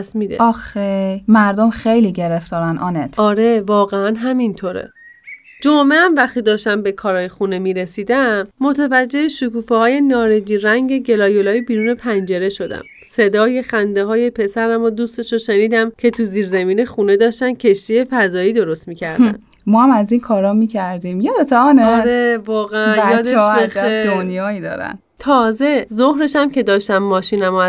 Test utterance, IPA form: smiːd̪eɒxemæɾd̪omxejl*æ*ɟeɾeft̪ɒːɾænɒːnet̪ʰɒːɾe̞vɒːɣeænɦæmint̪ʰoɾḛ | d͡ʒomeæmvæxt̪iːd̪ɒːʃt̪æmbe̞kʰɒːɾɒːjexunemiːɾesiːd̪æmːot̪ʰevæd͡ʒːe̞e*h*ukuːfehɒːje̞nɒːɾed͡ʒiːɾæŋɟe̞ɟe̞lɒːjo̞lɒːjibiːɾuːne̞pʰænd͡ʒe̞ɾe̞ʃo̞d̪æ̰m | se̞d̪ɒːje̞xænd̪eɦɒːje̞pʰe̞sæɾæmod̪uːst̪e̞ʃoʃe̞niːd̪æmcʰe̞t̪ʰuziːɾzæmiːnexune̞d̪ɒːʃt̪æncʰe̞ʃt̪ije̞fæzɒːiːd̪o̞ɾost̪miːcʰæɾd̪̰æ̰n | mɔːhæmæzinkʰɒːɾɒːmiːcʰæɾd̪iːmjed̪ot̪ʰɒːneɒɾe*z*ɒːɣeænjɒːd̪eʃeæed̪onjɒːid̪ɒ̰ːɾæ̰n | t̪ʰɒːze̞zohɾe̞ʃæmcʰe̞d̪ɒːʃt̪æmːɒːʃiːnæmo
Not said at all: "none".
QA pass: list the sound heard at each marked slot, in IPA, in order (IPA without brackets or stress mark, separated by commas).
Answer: i, ʃ, v